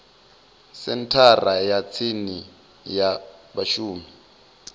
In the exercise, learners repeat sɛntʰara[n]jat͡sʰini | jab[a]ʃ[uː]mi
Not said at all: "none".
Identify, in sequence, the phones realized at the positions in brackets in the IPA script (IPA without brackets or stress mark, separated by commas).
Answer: none, a, uː